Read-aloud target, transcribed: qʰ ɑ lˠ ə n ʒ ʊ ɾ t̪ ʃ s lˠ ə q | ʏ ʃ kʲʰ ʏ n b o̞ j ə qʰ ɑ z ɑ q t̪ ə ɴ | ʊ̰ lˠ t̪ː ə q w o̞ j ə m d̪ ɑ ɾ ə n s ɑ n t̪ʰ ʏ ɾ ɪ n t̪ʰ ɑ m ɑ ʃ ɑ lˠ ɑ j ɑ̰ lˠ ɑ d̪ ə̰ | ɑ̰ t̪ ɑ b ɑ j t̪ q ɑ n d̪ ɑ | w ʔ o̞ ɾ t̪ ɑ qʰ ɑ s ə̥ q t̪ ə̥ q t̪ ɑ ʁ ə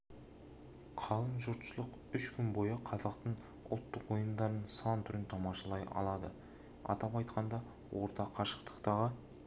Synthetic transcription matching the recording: qʰ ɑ lˠ ə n ʒ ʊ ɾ t̪ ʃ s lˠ ə q | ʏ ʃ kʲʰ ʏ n b o̞ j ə qʰ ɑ z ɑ q t̪ ə ɴ | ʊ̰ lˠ t̪ː ə q w o̞ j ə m d̪ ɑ ɾ ə n s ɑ n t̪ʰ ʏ ɾ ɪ n t̪ʰ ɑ m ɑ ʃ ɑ lˠ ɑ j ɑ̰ lˠ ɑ d̪ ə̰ | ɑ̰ t̪ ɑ p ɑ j t̪ q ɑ n d̪ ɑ | w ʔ o̞ ɾ t̪ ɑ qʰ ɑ ʃ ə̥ q t̪ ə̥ q t̪ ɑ ʁ ə